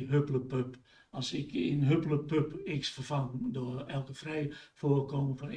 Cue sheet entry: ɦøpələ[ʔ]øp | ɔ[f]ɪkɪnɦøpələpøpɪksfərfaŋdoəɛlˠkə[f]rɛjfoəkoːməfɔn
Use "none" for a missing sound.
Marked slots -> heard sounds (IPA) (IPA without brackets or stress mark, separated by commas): p, s, f